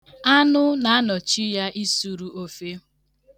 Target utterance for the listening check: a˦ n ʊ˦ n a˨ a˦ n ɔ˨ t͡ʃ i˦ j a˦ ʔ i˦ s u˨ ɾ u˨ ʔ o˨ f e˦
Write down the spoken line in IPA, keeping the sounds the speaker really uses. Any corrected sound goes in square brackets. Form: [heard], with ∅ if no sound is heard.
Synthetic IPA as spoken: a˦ n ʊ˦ n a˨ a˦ n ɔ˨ t͡ʃ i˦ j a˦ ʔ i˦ s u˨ ɾ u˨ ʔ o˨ f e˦